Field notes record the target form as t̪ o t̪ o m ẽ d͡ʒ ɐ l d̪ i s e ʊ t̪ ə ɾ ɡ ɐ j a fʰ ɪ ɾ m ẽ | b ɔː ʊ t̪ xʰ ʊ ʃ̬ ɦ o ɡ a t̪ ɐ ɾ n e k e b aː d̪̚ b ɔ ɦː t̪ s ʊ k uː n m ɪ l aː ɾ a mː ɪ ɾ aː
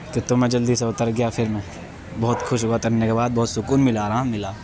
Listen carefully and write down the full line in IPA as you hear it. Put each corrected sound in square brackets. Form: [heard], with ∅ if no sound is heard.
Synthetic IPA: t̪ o t̪ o m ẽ d͡ʒ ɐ l d̪ i s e ʊ t̪ ə ɾ ɡ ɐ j a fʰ ɪ ɾ m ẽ | b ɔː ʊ t̪ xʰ ʊ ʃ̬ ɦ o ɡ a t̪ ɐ ɾ n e k e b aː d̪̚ b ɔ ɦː t̪ s ʊ k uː n m ɪ l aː ɾ a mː ɪ [l] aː